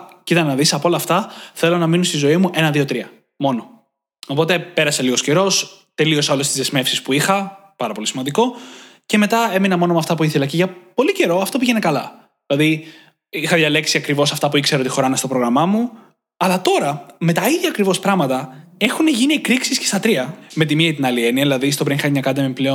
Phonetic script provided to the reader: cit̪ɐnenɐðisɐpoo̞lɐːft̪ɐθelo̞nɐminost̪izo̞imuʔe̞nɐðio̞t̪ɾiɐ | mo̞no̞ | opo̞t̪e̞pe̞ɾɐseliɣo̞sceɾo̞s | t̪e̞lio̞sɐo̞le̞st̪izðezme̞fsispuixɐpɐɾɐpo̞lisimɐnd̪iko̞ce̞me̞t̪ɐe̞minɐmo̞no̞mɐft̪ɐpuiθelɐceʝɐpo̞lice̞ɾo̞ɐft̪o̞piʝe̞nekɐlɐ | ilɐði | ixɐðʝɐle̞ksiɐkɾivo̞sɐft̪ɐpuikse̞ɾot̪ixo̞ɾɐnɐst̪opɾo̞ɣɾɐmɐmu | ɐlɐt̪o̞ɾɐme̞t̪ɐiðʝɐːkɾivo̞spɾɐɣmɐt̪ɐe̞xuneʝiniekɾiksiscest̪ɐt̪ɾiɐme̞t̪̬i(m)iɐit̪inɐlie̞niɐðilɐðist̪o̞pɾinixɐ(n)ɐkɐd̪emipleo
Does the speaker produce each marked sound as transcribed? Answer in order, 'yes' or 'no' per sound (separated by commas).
yes, no